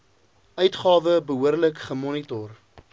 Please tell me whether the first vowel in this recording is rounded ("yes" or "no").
yes